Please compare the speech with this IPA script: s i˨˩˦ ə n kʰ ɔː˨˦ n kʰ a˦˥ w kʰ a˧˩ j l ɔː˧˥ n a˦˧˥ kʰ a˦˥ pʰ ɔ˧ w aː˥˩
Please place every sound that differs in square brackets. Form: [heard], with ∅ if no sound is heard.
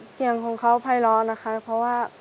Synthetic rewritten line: s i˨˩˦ ə [ŋ] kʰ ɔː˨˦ [ŋ] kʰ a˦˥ w [pʰ] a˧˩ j l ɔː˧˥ n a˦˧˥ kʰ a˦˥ pʰ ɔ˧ w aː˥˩